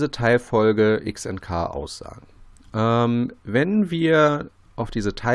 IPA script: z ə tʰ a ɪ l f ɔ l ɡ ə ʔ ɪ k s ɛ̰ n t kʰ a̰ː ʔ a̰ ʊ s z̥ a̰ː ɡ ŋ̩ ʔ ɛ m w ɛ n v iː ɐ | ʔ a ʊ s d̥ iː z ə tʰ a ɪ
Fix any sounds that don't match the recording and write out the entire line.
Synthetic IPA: z ə tʰ a ɪ l f ɔ l ɡ ə ʔ ɪ k s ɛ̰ n t kʰ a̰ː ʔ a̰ ʊ s z̥ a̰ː ɡ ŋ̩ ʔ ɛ m v ɛ n v iː ɐ | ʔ a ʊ f d̥ iː z ə tʰ a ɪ